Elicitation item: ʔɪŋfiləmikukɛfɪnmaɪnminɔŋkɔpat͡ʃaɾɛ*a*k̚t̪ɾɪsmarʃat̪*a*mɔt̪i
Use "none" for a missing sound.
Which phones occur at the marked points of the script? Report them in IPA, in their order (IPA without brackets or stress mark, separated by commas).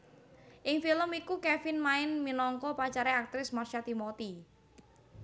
a, i